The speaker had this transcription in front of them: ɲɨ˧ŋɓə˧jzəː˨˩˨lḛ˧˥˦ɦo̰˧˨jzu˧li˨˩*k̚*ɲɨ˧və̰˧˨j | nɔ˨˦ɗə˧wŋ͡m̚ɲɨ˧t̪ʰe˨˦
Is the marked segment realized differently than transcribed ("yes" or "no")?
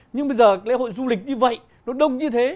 no